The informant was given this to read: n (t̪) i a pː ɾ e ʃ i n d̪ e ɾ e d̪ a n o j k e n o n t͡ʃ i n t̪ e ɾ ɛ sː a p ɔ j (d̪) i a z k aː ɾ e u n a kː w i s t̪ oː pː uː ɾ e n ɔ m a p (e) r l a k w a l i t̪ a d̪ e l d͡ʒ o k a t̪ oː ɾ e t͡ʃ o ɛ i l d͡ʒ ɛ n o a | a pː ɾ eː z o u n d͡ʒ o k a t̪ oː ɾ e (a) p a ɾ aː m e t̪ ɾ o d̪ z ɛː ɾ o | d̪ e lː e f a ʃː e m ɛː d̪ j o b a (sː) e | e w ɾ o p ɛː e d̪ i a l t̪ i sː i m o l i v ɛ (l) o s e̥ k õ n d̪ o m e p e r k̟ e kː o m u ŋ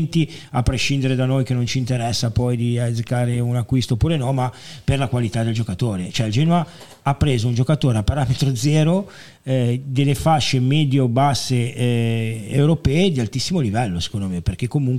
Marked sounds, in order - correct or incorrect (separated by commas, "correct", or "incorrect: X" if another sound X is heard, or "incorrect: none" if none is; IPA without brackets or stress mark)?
correct, correct, correct, correct, correct, incorrect: lː